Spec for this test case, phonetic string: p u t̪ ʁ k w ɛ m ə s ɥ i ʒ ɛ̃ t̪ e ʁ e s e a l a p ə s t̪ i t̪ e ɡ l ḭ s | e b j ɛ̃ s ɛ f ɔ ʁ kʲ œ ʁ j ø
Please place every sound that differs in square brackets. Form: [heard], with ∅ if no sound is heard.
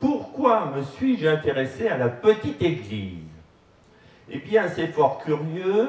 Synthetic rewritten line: p u [∅] ʁ k w [a] m ə s ɥ i ʒ ɛ̃ t̪ e ʁ e s e a l a p ə [∅] t̪ i t̪ e ɡ l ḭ [z] | e b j ɛ̃ s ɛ f ɔ ʁ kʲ [y] ʁ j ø